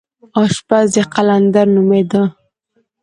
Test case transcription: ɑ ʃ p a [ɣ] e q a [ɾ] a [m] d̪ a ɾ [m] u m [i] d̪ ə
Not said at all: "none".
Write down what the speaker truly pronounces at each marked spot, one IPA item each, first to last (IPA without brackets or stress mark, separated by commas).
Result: z, l, n, n, e